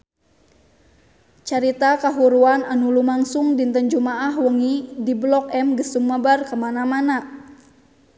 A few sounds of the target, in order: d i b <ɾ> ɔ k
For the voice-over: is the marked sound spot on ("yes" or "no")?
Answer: no